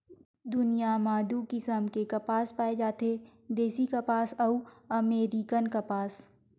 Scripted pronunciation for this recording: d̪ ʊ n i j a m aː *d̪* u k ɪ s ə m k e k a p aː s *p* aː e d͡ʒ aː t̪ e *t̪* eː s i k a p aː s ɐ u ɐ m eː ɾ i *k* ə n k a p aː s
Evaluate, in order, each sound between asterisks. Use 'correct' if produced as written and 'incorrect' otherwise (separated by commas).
correct, correct, incorrect, correct